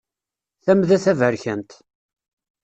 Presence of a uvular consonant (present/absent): absent